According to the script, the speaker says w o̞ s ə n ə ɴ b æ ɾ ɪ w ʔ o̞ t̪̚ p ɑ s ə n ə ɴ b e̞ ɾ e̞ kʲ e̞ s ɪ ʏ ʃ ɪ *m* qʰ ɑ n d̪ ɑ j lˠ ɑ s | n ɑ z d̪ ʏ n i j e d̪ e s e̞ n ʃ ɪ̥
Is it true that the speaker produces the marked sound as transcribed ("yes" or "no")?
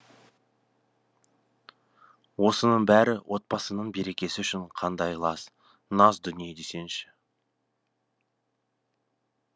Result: no